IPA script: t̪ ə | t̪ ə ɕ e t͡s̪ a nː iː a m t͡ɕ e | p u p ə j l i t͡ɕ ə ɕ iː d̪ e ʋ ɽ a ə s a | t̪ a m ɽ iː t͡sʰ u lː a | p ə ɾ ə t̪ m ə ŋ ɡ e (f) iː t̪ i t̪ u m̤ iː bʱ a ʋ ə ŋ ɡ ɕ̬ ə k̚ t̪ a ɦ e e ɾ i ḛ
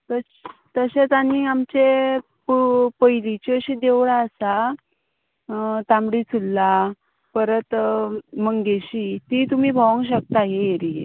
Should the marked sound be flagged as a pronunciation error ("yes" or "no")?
yes